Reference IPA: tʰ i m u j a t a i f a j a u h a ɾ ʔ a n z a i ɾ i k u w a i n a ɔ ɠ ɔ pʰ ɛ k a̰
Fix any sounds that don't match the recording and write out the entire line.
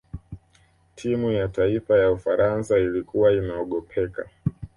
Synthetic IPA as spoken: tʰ i m u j a t a i f a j a u f a ɾ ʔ a n s a i l i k u w a i n a ɔ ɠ ɔ pʰ ɛ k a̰